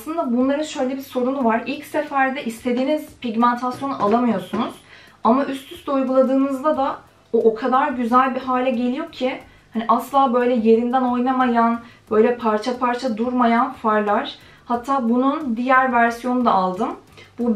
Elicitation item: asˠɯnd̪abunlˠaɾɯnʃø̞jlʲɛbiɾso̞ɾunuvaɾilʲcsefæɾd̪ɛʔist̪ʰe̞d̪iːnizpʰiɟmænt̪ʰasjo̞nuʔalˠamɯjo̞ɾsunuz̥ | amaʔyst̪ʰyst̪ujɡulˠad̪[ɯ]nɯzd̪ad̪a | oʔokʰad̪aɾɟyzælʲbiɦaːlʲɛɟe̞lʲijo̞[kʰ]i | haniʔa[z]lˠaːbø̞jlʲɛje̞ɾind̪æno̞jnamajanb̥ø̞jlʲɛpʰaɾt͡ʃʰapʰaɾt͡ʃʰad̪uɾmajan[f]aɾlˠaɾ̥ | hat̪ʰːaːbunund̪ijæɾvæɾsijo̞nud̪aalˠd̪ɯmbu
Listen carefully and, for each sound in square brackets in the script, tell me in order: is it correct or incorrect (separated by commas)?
incorrect, incorrect, incorrect, correct